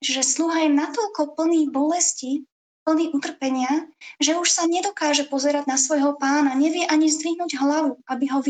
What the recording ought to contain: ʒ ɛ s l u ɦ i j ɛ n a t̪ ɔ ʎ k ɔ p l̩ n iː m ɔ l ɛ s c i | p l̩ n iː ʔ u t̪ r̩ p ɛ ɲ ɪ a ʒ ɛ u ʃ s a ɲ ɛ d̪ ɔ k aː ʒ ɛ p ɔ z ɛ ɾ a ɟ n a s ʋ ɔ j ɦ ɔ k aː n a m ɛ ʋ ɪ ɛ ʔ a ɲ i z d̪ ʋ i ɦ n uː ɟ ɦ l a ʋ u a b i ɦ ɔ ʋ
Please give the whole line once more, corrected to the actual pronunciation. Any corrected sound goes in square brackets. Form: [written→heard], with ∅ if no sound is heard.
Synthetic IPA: ʒ ɛ s l u ɦ [i→a] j ɛ n a t̪ ɔ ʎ k ɔ p l̩ n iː [m→b] ɔ l ɛ s c i | p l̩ n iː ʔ u t̪ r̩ p ɛ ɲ ɪ a ʒ ɛ u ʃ s a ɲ ɛ d̪ ɔ k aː ʒ ɛ p ɔ z ɛ ɾ a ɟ n a s ʋ ɔ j ɦ ɔ [k→p] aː n a [m→ɲ] ɛ ʋ ɪ ɛ ʔ a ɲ i z d̪ ʋ i ɦ n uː ɟ ɦ l a ʋ u a b i ɦ ɔ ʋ